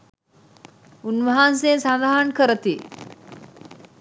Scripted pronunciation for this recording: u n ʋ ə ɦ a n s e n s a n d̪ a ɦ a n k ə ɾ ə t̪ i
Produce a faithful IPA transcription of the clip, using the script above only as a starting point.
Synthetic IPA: u n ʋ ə ɦ a n s e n s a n d̪ a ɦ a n k ə ɾ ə t̪ i